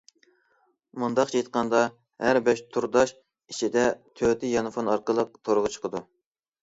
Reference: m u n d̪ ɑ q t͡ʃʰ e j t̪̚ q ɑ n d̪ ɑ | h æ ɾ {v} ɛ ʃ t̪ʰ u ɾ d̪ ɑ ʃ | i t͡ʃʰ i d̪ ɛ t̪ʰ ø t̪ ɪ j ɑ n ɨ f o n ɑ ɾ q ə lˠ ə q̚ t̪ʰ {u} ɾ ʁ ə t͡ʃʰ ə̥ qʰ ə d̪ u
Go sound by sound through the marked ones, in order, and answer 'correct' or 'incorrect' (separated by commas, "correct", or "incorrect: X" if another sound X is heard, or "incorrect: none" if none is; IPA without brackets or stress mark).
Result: incorrect: b, incorrect: o